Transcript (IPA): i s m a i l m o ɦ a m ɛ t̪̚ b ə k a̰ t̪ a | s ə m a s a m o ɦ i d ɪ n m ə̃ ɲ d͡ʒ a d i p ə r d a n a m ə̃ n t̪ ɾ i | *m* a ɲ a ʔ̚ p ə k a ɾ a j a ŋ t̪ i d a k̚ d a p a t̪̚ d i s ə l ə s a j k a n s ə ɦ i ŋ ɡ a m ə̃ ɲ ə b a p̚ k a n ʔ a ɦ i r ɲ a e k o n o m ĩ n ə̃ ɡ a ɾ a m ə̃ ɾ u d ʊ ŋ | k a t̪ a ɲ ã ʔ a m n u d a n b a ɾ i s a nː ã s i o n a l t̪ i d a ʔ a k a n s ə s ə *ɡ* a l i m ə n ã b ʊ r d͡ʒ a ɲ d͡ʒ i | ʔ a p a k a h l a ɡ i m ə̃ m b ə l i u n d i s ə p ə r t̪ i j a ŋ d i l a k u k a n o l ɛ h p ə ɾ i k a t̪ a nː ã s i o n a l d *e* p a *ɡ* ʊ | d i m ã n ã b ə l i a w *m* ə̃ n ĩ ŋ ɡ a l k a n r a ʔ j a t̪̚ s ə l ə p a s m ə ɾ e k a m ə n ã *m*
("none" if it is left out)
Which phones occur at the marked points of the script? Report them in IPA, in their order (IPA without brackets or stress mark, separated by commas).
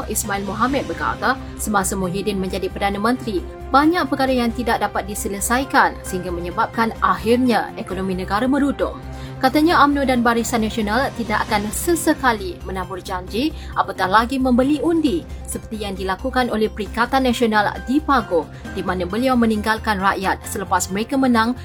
b, k, i, ɡ, m, ŋ